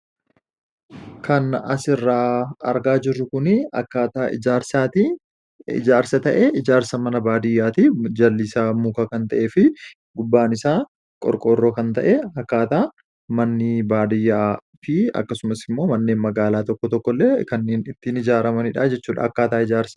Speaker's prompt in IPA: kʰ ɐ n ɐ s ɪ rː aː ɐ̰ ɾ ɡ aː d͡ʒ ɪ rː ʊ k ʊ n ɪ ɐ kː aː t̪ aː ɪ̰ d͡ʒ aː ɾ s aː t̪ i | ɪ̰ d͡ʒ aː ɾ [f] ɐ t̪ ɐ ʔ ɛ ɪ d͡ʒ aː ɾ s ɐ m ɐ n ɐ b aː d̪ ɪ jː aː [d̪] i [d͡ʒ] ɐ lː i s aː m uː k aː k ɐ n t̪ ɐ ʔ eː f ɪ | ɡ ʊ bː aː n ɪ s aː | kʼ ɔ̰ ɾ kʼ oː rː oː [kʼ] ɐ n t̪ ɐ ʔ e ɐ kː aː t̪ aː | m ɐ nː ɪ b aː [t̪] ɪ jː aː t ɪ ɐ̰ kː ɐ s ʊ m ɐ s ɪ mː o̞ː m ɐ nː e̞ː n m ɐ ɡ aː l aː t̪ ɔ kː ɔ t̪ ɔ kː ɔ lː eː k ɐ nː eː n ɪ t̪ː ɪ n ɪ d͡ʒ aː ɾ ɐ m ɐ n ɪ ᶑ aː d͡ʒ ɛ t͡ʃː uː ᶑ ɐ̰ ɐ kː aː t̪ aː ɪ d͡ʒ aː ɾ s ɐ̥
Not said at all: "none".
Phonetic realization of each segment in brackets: s, t̪, d͡ʒ, k, d̪

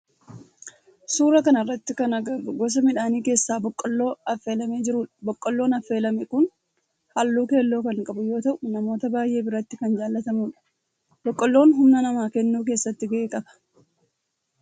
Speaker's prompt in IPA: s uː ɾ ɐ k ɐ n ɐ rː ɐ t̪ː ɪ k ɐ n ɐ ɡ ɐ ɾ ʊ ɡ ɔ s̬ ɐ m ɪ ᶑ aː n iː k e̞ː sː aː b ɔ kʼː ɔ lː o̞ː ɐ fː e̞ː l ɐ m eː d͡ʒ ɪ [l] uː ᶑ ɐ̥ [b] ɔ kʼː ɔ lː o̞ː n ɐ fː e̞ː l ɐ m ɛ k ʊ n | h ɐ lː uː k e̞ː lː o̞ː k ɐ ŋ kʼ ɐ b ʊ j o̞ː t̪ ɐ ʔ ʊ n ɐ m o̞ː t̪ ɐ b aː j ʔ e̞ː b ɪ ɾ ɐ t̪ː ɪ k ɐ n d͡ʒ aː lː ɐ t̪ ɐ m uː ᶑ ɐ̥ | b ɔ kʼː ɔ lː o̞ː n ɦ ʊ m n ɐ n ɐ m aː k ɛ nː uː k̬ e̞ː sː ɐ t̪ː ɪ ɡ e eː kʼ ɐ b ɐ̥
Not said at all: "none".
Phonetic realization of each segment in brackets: ɾ, b

